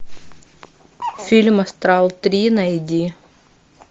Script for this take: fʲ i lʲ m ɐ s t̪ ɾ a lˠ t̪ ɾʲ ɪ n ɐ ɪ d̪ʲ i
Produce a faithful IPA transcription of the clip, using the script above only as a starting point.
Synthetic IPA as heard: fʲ i lʲ m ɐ s t̪ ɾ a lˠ t̪ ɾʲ i n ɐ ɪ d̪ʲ i